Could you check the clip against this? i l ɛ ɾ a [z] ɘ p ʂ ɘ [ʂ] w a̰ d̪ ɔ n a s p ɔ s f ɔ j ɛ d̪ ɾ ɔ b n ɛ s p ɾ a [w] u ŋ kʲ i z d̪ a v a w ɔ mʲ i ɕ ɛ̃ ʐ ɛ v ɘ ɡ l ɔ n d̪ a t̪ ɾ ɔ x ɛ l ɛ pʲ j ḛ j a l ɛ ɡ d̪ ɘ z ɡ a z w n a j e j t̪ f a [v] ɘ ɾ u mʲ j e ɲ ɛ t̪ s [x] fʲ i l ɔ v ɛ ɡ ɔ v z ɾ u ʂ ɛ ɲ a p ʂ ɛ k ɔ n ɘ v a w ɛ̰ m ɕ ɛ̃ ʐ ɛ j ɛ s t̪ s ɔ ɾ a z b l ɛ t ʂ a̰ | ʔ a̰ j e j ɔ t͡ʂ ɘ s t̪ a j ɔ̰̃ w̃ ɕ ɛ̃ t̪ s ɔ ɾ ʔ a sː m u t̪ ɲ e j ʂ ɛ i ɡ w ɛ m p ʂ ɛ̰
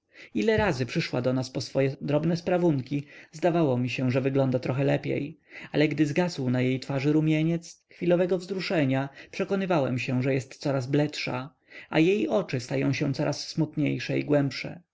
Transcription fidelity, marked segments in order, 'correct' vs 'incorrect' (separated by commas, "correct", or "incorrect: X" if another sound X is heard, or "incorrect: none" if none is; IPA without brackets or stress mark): correct, correct, incorrect: v, incorrect: ʐ, correct